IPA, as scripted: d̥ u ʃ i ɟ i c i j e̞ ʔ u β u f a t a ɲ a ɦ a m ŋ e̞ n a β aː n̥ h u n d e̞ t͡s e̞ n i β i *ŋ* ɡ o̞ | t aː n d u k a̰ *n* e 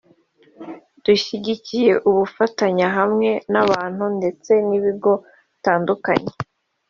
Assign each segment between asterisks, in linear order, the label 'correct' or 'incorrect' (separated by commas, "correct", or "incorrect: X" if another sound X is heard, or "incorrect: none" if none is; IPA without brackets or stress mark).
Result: incorrect: none, incorrect: ɲ